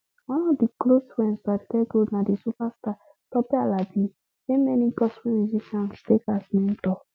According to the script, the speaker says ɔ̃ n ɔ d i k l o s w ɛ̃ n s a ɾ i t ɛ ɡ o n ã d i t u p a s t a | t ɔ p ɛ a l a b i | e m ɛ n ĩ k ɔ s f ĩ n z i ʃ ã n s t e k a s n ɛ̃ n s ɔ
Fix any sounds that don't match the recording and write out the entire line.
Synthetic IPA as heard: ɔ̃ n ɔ d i k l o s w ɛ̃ n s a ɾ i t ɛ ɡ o n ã d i s u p a s t a | t ɔ p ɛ a l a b i | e m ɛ n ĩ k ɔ s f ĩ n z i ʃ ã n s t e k a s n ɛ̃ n t ɔ